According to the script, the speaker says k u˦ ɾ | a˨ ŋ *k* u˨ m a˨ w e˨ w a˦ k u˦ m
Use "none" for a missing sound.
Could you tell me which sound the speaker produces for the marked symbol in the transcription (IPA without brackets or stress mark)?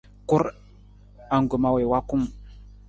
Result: ɡ